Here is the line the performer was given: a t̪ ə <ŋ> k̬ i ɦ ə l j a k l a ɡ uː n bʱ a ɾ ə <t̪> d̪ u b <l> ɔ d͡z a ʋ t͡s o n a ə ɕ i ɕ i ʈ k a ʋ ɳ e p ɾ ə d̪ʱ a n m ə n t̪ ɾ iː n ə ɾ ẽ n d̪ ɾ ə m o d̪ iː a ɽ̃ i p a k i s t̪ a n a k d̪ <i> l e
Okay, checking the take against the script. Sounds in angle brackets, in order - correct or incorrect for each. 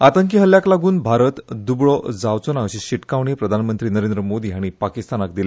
correct, correct, incorrect: ɭ, correct

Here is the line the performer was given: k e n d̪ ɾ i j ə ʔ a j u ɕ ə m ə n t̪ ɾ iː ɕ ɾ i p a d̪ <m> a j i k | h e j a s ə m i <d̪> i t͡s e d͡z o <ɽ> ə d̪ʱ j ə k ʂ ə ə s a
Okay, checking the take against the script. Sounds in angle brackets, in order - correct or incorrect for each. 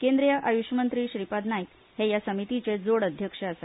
incorrect: n, incorrect: t̪, correct

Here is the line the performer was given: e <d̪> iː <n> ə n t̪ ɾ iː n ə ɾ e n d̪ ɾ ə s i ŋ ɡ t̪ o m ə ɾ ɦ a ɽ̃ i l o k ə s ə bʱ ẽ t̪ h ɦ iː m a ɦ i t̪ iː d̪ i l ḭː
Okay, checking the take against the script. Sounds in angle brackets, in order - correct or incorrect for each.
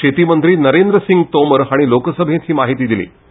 incorrect: t̪, incorrect: m

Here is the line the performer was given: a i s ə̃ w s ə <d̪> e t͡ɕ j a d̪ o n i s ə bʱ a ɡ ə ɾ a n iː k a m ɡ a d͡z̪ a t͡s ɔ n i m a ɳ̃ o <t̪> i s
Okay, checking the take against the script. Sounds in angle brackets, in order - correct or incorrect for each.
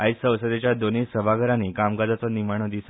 correct, incorrect: d̪

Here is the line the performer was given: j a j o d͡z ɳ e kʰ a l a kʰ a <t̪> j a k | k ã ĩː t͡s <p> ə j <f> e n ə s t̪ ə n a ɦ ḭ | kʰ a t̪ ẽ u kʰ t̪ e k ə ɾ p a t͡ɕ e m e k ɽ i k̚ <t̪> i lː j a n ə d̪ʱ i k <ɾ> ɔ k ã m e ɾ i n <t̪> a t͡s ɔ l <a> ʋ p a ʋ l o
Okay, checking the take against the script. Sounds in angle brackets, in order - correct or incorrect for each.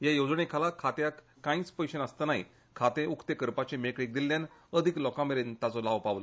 correct, correct, incorrect: ɕ, incorrect: d̪, incorrect: l, correct, correct

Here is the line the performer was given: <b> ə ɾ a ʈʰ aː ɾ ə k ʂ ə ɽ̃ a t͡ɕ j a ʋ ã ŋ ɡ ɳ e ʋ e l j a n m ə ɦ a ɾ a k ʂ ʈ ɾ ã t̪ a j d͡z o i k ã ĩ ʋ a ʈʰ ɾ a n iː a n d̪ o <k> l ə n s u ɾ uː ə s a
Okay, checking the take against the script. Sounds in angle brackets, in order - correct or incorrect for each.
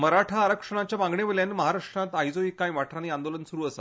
incorrect: m, incorrect: none

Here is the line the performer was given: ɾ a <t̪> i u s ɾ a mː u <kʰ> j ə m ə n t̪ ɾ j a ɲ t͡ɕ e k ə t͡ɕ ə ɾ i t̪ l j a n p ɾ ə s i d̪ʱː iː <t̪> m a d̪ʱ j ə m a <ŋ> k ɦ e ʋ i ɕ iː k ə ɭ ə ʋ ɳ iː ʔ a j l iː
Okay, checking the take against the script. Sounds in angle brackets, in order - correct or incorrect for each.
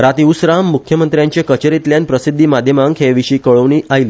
correct, correct, incorrect: none, correct

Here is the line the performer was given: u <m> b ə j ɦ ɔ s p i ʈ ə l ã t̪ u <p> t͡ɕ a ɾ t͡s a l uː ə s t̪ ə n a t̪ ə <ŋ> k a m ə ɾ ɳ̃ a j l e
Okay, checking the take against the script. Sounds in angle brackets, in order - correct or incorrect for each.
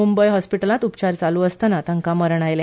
correct, correct, correct

